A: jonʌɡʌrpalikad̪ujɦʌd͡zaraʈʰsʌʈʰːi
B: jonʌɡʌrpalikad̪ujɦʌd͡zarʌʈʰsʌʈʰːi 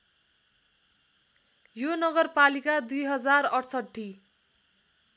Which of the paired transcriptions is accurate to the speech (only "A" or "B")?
B